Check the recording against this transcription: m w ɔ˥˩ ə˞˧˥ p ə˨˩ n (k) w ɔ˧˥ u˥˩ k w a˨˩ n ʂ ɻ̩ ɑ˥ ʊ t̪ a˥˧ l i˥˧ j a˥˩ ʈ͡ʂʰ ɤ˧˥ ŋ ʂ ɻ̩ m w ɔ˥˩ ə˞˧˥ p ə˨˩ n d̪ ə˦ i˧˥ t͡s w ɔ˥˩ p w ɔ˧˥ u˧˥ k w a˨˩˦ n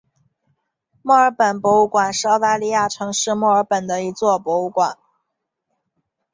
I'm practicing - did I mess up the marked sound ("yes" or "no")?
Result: yes